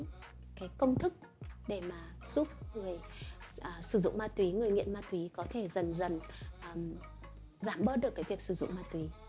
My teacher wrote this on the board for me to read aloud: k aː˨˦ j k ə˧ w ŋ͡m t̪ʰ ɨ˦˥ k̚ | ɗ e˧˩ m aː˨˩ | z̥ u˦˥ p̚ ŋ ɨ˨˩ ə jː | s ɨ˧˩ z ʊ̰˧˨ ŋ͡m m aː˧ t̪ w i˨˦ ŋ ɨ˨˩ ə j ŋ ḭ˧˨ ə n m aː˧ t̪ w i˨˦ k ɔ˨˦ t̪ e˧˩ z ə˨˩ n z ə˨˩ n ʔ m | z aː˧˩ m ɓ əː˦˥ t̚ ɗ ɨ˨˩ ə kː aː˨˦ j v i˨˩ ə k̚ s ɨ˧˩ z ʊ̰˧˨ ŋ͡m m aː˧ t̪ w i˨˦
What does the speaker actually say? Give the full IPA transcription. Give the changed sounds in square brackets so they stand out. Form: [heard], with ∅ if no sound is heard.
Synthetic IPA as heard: k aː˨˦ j k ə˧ w ŋ͡m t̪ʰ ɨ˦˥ k̚ | ɗ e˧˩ m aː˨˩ | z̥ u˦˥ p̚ ŋ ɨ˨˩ ə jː | s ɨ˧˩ z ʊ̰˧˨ ŋ͡m m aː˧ t̪ w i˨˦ ŋ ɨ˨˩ ə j ŋ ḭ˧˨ ə n m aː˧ t̪ w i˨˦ k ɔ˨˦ [t̪ʰ] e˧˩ z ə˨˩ n z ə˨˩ n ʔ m | z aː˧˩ m ɓ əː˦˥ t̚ ɗ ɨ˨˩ ə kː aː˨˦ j v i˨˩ ə k̚ s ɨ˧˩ z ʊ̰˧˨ ŋ͡m m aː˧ t̪ w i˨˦